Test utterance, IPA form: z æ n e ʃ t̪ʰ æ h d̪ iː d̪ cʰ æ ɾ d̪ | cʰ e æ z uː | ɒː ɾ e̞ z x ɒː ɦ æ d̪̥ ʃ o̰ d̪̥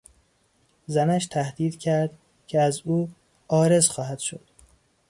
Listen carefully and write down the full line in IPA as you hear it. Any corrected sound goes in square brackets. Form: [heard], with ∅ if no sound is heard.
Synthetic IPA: z æ n [æ] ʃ t̪ʰ æ h d̪ iː d̪ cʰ æ ɾ d̪ | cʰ e æ z uː | ɒː ɾ e̞ z x ɒː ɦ æ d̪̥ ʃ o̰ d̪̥